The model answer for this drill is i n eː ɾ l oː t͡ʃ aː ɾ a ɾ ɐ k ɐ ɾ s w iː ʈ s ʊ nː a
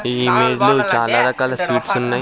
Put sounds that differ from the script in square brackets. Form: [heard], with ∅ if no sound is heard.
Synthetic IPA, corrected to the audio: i [m] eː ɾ l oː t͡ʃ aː [l] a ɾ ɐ k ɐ [l] s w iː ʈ s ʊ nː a

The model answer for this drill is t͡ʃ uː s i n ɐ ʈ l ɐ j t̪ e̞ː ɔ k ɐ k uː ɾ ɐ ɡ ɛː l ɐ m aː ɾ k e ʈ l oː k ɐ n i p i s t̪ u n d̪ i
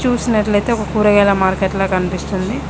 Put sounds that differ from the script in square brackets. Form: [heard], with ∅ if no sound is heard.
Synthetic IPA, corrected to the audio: t͡ʃ uː s i n ɐ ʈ l ɐ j t̪ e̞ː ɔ k ɐ k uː ɾ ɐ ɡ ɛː l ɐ m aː ɾ k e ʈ l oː k ɐ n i p i s t̪ u n d̪ i

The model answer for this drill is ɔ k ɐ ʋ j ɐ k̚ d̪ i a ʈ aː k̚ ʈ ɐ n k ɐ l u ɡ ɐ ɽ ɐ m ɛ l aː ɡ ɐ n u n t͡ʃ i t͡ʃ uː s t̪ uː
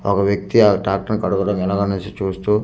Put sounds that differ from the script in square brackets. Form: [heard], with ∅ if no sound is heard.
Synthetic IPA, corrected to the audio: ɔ k ɐ ʋ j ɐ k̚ [t̪] i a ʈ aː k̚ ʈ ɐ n k ɐ [ɽ] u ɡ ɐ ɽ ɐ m ɛ l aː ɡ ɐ n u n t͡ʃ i t͡ʃ uː s t̪ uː

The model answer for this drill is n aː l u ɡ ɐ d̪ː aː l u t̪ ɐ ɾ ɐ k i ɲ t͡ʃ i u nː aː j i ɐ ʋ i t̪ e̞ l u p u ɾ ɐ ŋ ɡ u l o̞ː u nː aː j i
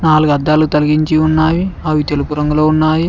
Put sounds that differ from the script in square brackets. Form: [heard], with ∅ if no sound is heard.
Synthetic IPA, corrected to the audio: n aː l u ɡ ɐ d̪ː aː l u t̪ ɐ [l] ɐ [ɡ] i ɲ t͡ʃ i u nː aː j i ɐ ʋ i t̪ e̞ l u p u ɾ ɐ ŋ ɡ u l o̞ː u nː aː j i

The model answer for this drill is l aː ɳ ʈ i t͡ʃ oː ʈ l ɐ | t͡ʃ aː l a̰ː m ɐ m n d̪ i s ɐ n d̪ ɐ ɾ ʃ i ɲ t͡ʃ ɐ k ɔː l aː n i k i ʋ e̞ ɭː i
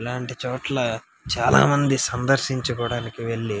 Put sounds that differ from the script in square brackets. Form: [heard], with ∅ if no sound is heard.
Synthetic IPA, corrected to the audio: l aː ɳ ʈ i t͡ʃ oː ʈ l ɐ | t͡ʃ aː l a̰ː m ɐ [∅] n d̪ i s ɐ n d̪ ɐ ɾ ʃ i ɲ t͡ʃ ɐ k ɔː [ɽ] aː n i k i ʋ e̞ ɭː i

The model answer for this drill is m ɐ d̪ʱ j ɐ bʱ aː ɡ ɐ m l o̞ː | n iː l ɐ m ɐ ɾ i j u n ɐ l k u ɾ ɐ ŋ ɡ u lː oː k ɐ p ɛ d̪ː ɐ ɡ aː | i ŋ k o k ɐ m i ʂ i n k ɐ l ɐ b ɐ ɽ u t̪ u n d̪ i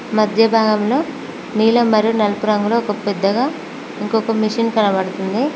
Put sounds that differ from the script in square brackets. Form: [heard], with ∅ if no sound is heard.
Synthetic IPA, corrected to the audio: m ɐ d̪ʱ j ɐ bʱ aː ɡ ɐ m l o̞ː | n iː l ɐ m ɐ ɾ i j u n ɐ l [p] u ɾ ɐ ŋ ɡ u [l] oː k ɐ p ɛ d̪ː ɐ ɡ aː | i ŋ k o k ɐ m i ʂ i n k ɐ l ɐ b ɐ ɽ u t̪ u n d̪ i

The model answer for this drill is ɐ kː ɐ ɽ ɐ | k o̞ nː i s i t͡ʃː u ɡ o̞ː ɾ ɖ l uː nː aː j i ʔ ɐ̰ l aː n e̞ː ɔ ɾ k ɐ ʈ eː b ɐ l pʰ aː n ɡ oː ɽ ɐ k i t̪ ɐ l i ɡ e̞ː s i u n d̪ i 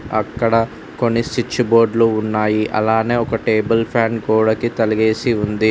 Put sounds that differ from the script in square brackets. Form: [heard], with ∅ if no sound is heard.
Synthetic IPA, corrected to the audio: ɐ kː ɐ ɽ ɐ | k o̞ nː i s i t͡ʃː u [b] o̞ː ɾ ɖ l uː nː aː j i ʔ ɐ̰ l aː n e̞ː ɔ [∅] k ɐ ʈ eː b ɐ l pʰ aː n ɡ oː ɽ ɐ k i t̪ ɐ l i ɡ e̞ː s i u n d̪ i

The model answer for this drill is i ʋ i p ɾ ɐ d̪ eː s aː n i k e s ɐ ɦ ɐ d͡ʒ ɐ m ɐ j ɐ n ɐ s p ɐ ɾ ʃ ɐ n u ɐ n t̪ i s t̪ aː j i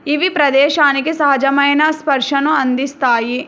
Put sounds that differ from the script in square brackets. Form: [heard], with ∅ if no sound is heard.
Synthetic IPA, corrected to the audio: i ʋ i p ɾ ɐ d̪ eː [ʃ] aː n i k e s ɐ ɦ ɐ d͡ʒ ɐ m ɐ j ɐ n ɐ s p ɐ ɾ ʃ ɐ n u ɐ n [d̪] i s t̪ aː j i

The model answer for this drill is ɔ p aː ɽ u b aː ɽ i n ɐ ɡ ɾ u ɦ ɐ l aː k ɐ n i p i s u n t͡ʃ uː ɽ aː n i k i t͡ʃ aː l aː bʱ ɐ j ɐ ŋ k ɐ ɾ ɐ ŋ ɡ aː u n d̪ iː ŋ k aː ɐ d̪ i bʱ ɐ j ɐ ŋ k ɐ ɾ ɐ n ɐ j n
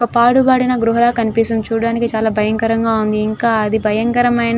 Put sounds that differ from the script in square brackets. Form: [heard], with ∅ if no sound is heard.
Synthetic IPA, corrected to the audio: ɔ p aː ɽ u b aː ɽ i n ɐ ɡ ɾ u ɦ ɐ l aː k ɐ n i p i s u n t͡ʃ uː ɽ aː n i k i t͡ʃ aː l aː bʱ ɐ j ɐ ŋ k ɐ ɾ ɐ ŋ ɡ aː u n d̪ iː ŋ k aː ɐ d̪ i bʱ ɐ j ɐ ŋ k ɐ ɾ ɐ [m] ɐ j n

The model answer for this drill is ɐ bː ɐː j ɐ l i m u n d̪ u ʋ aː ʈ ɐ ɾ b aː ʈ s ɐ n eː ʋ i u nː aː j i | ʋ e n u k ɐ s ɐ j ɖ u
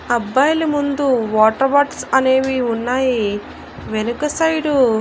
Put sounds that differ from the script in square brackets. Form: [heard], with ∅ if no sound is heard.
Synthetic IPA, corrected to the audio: ɐ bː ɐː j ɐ l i m u n d̪ u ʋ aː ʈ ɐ ɾ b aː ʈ s ɐ n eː ʋ i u nː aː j i | ʋ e n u k ɐ s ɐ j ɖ u

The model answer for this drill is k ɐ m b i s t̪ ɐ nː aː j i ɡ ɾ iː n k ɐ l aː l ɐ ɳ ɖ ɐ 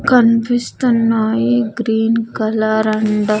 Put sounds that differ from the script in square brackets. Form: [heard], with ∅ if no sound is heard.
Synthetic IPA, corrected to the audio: k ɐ [n] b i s t̪ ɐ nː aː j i ɡ ɾ iː n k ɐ l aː [ɾ] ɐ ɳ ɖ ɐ

